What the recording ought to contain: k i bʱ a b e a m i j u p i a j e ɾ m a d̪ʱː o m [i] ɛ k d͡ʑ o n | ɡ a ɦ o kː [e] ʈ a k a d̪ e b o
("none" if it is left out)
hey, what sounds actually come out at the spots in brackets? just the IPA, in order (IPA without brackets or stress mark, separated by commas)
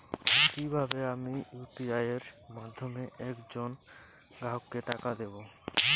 e, e